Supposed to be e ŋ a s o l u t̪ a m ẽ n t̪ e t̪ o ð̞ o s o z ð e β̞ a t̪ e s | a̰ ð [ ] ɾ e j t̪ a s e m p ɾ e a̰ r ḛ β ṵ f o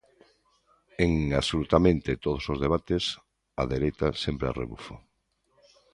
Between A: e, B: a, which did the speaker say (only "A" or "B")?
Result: A